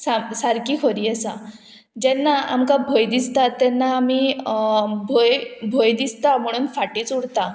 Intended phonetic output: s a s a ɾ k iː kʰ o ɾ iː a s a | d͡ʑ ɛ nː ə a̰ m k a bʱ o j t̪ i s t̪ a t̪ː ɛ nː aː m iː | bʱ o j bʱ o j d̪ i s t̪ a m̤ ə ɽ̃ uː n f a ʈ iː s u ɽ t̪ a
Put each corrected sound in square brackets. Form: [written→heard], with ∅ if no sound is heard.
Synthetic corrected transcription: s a s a ɾ k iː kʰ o ɾ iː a s a | d͡ʑ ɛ nː [ə→a] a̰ m k a bʱ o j [t̪→d̪] i s t̪ a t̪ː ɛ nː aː m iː | bʱ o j bʱ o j d̪ i s t̪ a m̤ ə ɽ̃ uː n f a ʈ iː [s→t͡s] u ɽ t̪ a